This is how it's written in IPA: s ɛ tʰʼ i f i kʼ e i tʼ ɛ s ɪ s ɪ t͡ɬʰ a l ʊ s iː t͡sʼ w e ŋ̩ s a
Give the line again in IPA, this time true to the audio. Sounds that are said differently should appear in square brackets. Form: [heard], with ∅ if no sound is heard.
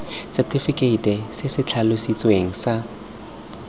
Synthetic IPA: s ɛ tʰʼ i f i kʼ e i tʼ ɛ s ɪ s ɪ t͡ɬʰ a l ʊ s [i] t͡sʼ w e ŋ̩ s a